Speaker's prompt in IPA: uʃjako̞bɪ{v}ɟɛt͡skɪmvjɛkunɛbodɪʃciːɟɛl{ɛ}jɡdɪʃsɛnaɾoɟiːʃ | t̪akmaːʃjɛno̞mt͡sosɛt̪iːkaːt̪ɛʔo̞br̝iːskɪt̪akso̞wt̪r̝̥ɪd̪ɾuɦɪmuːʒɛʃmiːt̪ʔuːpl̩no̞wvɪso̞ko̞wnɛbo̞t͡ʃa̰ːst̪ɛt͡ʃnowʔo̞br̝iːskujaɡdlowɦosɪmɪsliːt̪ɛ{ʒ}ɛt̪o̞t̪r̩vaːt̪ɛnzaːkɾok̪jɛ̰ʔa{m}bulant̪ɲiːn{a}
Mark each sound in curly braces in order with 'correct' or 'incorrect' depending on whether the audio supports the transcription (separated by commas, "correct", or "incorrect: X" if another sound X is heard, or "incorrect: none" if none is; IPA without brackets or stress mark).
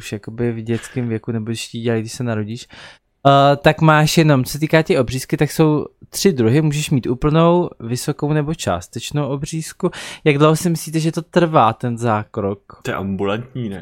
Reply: correct, incorrect: a, correct, correct, incorrect: ɛ